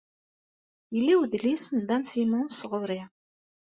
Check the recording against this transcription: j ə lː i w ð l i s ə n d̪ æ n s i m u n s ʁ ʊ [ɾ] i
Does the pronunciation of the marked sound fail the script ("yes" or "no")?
no